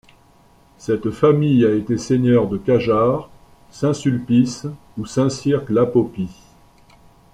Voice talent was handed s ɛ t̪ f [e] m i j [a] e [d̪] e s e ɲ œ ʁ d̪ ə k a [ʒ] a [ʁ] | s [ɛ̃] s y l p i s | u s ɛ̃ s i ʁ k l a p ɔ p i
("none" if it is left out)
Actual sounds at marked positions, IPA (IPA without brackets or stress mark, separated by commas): a, a, t̪, ʒ, ʁ, ɛ̃